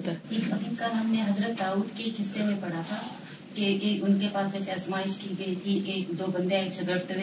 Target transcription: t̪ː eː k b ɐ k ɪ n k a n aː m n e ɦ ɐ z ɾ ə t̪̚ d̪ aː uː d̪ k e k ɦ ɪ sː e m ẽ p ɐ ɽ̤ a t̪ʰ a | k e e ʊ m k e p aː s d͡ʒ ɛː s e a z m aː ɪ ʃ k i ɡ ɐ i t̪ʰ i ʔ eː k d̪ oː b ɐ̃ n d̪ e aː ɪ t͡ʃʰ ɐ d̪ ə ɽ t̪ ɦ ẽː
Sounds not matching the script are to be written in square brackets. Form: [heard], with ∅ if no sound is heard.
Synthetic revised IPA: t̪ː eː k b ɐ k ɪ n k a n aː m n e ɦ ɐ z ɾ ə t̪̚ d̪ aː uː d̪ k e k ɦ ɪ sː e m ẽ p ɐ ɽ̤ a t̪ʰ a | k e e ʊ [n] k e p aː s d͡ʒ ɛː s e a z m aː ɪ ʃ k i ɡ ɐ i t̪ʰ i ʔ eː k d̪ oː b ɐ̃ n d̪ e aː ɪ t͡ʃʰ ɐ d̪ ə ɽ t̪ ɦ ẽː